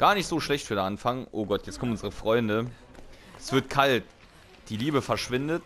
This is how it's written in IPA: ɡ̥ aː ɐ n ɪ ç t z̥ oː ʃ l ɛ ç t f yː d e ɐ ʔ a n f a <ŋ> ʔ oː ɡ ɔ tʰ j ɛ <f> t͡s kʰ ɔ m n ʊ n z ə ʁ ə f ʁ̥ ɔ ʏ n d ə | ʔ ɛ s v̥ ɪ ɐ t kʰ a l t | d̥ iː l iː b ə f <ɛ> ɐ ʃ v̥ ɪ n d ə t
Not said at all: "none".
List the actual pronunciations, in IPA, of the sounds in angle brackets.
ŋ, none, ɛ

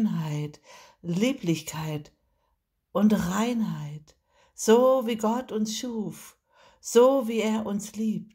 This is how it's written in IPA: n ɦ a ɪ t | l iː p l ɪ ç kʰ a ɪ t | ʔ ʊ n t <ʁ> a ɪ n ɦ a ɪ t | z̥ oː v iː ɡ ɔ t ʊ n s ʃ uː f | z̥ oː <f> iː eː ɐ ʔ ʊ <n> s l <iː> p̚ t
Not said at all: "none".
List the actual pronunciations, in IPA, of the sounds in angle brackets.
ʁ, v, n, iː

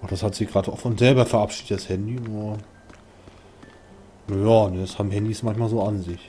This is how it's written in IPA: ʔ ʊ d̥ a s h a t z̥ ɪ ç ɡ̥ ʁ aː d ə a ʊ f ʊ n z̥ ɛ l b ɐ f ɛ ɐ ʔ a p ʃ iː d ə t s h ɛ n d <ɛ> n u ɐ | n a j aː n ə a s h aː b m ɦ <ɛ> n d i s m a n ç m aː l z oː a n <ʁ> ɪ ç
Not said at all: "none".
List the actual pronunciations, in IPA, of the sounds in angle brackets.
i, ɛ, z

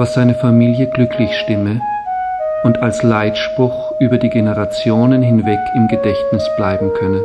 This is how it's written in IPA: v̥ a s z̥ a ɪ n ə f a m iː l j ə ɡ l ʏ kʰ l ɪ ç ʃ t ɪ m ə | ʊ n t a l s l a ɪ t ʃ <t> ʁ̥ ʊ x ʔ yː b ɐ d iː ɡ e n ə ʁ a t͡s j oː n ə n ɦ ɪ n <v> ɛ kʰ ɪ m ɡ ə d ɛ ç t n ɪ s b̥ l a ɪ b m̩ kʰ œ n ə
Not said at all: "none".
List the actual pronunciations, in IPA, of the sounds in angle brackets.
p, v

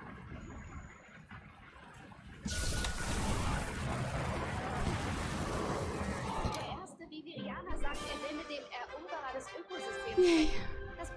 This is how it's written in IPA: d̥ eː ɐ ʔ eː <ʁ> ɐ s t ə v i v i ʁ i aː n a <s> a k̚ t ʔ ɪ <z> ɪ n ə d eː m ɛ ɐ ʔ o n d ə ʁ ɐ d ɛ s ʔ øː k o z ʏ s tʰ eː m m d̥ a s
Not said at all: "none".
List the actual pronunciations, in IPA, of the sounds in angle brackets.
none, z, z

